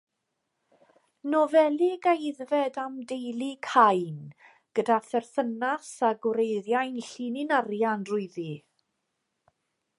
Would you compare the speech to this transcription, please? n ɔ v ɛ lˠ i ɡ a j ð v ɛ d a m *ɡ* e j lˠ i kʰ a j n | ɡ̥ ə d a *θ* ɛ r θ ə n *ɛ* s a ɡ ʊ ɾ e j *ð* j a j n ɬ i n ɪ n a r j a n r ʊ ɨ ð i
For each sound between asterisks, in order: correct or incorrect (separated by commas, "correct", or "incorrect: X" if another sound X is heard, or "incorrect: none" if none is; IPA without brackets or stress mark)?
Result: incorrect: d, correct, incorrect: a, correct